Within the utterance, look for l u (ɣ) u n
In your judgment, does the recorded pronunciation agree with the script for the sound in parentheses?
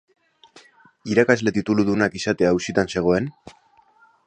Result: no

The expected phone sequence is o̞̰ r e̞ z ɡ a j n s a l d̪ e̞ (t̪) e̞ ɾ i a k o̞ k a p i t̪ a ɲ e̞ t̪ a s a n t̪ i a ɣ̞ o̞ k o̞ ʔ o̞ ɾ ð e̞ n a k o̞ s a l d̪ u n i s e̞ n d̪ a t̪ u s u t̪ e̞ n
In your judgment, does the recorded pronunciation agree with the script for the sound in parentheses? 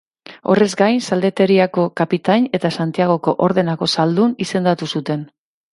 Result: yes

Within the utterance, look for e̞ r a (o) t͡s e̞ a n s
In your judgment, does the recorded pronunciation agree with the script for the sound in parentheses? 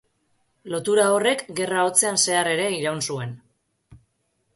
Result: yes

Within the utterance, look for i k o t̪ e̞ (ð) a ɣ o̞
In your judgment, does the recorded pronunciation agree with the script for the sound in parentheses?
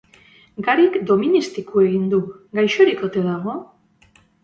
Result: yes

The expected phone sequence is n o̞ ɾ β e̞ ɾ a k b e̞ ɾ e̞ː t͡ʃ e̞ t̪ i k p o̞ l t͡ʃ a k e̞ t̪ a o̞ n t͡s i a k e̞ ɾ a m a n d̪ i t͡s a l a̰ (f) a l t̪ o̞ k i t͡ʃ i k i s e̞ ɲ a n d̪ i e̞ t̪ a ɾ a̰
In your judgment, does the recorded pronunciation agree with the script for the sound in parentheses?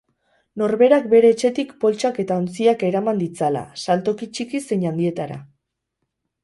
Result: no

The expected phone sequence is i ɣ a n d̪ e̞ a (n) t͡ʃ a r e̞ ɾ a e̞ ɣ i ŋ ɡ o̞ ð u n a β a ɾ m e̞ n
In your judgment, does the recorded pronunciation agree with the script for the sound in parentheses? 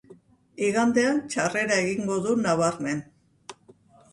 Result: yes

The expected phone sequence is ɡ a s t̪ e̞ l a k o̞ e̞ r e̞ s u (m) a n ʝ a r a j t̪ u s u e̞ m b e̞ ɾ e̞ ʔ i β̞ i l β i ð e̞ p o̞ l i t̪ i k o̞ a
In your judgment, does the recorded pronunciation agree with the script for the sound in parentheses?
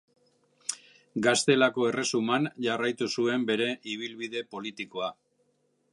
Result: yes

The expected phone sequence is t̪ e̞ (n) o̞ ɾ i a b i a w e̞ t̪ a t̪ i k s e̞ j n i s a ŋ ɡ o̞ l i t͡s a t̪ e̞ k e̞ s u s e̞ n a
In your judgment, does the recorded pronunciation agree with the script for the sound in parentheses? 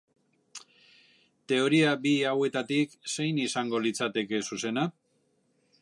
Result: no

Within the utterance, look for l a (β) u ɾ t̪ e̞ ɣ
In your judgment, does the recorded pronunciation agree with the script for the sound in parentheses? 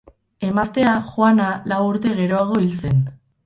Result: no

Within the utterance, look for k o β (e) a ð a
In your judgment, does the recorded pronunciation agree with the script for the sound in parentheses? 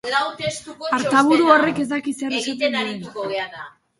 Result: yes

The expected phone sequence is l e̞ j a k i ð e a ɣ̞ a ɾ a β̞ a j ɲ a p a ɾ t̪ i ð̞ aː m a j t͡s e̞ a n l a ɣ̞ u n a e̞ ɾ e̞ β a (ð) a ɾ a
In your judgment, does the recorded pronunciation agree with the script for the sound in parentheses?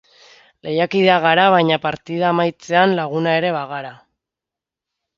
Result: no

